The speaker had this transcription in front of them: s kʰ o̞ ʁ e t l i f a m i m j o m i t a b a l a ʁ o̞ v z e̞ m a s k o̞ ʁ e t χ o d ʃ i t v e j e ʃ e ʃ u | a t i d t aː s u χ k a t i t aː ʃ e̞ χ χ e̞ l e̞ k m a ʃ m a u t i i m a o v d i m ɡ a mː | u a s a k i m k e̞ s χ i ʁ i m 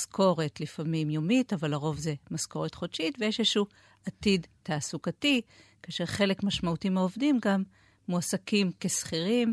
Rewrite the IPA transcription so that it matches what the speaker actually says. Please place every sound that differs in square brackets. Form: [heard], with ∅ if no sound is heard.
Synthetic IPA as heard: s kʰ o̞ ʁ e t l i f a m i m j o m i t a [v] a l a ʁ o̞ v z e̞ m a s k o̞ ʁ e t χ o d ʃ i t v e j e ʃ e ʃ u | a t i d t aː s u [∅] k a t i [k] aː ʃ e̞ [ʁ] χ e̞ l e̞ k m a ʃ m a u t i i m a o v d i m ɡ a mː | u a s a k i m k e̞ s χ i ʁ i m